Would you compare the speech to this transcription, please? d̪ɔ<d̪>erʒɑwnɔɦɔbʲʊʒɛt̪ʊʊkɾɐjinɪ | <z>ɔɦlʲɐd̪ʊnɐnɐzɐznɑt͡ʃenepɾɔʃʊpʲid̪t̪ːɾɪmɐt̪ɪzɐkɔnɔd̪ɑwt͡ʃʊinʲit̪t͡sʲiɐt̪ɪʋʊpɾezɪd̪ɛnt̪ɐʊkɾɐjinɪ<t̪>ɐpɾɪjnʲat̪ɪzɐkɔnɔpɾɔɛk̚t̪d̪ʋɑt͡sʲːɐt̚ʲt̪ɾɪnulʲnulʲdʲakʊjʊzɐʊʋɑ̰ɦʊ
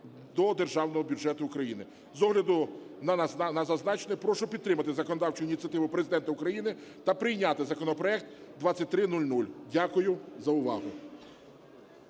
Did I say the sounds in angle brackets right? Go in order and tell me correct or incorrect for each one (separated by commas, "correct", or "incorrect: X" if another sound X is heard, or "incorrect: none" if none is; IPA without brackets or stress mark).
correct, correct, correct